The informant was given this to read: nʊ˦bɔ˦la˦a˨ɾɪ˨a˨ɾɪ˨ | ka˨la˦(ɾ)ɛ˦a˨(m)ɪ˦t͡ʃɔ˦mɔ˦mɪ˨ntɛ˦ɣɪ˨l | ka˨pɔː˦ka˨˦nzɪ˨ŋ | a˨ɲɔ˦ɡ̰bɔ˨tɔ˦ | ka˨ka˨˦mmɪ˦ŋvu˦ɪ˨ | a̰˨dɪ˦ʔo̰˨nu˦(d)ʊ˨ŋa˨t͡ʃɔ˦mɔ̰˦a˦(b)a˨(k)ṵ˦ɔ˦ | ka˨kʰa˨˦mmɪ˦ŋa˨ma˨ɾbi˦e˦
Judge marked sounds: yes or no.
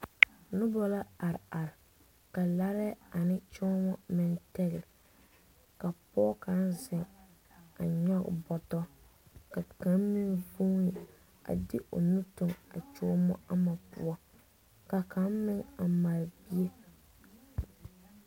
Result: yes, no, no, no, no

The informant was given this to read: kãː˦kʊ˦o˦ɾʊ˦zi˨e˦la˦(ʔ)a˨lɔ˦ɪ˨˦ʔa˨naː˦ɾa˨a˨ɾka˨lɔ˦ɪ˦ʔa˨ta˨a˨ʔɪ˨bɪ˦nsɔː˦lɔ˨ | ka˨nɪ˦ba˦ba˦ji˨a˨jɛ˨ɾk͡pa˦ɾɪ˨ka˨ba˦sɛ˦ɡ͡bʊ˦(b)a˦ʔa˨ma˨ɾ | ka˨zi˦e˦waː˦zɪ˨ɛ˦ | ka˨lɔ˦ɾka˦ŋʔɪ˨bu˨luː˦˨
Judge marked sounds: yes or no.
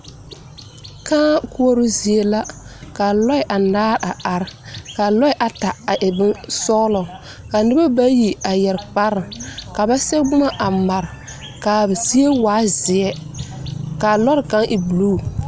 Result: no, no

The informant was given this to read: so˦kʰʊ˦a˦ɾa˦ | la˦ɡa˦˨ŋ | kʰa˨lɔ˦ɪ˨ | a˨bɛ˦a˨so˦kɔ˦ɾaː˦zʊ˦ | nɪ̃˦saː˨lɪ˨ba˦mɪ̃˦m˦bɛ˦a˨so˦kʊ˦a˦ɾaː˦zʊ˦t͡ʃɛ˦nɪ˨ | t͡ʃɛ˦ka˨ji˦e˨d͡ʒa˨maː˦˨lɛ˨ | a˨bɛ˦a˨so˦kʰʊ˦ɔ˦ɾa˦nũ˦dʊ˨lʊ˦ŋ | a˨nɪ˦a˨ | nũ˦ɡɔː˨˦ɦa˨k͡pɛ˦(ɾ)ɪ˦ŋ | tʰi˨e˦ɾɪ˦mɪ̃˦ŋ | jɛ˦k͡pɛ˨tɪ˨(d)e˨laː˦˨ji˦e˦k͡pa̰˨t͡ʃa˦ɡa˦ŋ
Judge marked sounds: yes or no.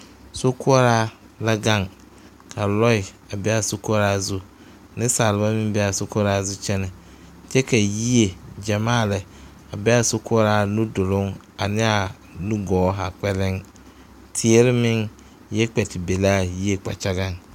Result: no, no

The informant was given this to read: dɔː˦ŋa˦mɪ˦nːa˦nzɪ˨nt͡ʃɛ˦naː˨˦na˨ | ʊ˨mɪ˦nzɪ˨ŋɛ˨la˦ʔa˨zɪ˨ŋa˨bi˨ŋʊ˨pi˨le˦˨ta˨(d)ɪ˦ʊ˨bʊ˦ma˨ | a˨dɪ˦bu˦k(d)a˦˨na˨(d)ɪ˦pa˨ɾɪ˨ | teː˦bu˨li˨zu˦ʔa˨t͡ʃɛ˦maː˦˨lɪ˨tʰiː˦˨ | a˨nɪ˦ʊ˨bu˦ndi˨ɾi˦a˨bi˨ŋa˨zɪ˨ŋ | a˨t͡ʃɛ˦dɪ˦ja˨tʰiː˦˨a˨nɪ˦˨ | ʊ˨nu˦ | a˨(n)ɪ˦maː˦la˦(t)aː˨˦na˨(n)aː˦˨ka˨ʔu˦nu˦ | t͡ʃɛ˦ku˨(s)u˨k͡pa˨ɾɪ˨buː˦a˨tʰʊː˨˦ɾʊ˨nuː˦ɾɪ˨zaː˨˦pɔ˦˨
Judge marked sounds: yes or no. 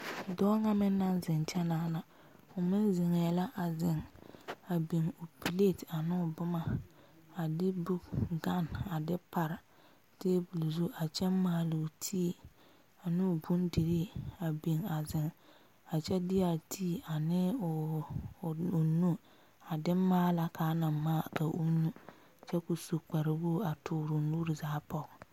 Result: no, no, yes, no, no, no, yes

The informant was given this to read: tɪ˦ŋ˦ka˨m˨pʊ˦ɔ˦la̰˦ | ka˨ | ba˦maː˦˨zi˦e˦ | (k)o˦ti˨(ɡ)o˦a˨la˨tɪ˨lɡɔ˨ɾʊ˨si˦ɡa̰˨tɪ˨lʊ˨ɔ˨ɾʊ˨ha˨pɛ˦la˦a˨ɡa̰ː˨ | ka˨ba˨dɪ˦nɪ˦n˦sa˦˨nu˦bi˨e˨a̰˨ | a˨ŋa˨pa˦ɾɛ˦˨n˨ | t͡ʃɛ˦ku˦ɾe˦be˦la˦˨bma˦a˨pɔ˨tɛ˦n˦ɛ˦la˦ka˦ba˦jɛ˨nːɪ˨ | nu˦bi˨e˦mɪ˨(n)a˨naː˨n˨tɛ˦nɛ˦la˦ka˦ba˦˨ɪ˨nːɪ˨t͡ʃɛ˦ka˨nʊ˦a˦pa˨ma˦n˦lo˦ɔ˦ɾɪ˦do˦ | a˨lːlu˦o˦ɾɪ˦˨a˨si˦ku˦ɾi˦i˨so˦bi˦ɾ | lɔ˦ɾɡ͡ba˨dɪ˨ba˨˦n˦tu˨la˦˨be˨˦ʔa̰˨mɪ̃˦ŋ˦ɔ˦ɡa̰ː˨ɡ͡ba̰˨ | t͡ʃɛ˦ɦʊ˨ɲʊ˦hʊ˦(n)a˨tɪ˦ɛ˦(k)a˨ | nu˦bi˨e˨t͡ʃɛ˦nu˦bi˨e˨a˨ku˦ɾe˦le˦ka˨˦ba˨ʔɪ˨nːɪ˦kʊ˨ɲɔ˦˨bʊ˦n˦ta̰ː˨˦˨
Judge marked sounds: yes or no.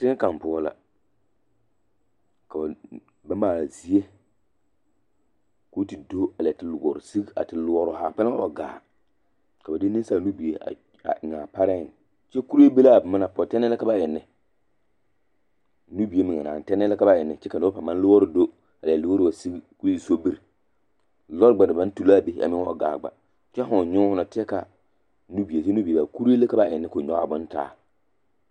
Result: yes, no, no, yes, yes

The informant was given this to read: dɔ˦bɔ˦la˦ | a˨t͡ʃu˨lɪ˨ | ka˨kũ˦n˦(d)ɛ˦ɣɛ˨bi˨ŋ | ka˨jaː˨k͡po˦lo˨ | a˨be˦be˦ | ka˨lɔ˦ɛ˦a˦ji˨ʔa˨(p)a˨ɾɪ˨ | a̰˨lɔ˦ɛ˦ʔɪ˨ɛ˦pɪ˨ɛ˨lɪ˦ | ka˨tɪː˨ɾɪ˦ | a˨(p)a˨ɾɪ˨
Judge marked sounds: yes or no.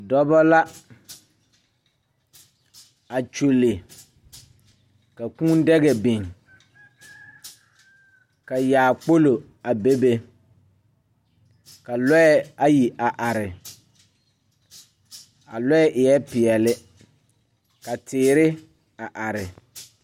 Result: yes, no, no

